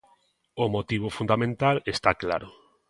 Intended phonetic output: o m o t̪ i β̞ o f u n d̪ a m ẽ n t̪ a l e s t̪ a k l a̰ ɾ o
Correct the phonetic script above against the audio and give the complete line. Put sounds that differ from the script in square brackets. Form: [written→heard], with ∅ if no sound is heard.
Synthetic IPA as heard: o m o t̪ i β̞ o f u n d̪ a m ẽ n t̪ a l e s t̪ a k l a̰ ɾ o